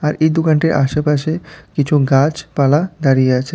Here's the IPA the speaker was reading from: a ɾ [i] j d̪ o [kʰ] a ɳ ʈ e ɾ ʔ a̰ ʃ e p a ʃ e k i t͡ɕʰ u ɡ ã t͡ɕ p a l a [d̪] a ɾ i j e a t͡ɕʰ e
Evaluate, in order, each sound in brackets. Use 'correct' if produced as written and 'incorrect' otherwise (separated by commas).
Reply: incorrect, incorrect, correct